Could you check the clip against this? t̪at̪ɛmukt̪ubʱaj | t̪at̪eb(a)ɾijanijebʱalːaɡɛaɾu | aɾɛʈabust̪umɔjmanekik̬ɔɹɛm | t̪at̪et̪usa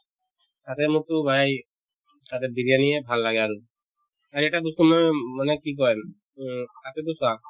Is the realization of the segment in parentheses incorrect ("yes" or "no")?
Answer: yes